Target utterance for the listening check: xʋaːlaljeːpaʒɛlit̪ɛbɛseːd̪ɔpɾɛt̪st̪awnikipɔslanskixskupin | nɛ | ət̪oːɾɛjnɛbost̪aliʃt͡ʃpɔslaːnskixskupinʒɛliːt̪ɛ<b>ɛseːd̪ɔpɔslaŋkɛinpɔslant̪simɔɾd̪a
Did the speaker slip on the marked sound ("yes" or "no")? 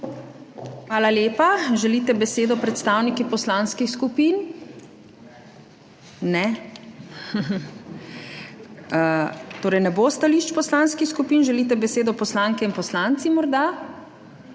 no